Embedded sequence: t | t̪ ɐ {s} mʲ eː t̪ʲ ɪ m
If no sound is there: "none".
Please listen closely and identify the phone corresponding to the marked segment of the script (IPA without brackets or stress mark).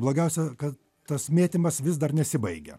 s